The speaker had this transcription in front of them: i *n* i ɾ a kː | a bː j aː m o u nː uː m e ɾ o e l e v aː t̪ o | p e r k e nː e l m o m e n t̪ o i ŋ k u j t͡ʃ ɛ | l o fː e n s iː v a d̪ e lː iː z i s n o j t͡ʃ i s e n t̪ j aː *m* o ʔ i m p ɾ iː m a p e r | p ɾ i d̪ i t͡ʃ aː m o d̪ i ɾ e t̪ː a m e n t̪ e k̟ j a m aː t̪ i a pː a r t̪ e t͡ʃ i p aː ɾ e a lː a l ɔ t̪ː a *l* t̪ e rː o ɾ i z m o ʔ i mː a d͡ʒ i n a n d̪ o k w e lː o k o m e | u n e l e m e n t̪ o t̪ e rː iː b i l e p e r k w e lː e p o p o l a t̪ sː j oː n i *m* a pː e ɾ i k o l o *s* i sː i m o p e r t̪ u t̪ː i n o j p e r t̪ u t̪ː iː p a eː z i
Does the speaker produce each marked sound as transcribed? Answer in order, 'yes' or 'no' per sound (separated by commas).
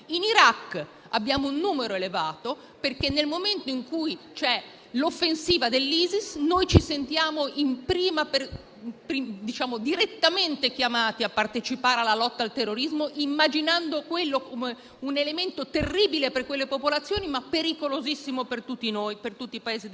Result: yes, yes, yes, yes, no